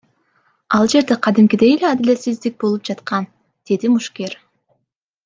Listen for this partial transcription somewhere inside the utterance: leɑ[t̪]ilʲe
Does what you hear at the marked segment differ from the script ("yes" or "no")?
yes